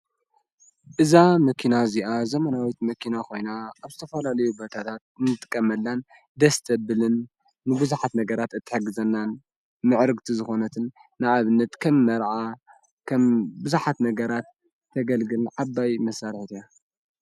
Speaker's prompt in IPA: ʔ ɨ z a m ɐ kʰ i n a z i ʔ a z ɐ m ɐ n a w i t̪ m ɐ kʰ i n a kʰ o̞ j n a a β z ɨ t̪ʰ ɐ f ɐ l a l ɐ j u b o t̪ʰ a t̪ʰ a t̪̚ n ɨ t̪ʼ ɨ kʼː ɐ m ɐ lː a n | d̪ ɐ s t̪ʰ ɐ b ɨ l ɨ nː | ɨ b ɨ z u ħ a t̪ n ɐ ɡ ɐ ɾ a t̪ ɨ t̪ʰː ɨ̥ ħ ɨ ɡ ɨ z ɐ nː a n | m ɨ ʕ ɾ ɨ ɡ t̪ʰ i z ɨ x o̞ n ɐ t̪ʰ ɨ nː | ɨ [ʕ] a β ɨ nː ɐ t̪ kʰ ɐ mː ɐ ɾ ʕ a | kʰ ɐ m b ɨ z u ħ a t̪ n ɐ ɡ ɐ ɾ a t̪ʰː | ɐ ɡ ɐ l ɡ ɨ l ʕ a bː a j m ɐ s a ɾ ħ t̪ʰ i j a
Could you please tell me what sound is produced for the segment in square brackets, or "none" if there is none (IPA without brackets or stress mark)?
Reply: ʕ